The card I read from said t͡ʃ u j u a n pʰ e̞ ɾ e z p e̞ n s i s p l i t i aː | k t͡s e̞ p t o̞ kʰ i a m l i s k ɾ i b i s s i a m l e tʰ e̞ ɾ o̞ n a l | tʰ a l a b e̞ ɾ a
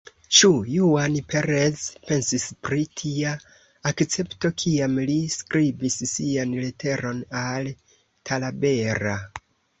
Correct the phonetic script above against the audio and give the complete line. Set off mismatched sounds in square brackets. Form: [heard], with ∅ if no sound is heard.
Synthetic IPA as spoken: t͡ʃ u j u a n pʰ e̞ ɾ e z p e̞ n s i s p [ɾ] i [tʰ] i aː | k t͡s e̞ p t o̞ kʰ i a m l i s k ɾ i b i s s i a [n] l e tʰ e̞ ɾ o̞ n a l | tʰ a l a b e̞ ɾ a